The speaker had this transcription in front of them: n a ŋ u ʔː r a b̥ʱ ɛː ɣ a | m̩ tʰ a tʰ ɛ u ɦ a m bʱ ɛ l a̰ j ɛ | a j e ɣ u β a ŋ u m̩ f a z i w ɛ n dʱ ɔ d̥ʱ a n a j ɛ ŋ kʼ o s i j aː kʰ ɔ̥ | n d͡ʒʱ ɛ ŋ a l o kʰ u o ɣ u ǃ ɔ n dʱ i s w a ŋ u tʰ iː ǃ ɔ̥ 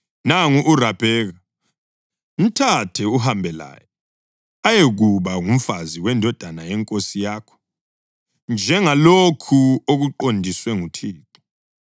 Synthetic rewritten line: n a ŋ u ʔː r a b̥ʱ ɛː ɣ a | m̩ tʰ a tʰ ɛ u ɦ a m bʱ ɛ l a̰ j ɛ | a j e ɣ u β a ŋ u m̩ f a z i w ɛ n dʱ ɔ d̥ʱ a n a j ɛ ŋ kʼ o s i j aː kʰ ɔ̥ | n d͡ʒʱ ɛ ŋ a l o kʰ u o ɣ u ǃ o n dʱ i s w ɛ ŋ u tʰ iː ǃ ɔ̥